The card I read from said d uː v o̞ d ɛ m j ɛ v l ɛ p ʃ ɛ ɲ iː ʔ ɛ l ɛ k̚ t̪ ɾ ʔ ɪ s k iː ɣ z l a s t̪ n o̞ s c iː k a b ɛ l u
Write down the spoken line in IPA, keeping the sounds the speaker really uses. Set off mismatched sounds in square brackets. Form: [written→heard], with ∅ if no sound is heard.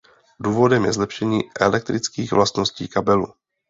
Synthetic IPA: d uː v o̞ d ɛ m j ɛ [v→z] l ɛ p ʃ ɛ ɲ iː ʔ ɛ l ɛ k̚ t̪ ɾ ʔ ɪ [s→t͡s] k iː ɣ [z→v] l a s t̪ n o̞ s c iː k a b ɛ l u